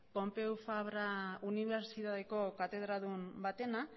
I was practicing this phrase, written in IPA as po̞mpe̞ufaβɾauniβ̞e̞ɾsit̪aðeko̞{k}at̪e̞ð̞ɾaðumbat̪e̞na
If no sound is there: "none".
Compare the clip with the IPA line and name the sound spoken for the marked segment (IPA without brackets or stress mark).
k